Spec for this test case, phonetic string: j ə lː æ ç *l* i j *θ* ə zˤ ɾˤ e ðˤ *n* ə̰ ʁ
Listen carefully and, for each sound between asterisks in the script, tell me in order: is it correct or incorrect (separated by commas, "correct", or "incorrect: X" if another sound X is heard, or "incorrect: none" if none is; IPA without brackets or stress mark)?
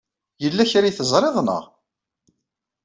incorrect: ɾ, correct, correct